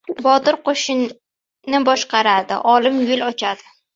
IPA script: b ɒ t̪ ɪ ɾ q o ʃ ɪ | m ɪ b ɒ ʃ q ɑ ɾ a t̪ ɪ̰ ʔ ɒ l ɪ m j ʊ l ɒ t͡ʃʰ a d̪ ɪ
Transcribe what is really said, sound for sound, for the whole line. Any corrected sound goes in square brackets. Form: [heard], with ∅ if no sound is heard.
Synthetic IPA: b ɒ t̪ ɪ ɾ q o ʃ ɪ | [n] ɪ b ɒ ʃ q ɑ ɾ a [d̪] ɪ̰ ʔ ɒ l ɪ m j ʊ l ɒ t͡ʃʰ a d̪ ɪ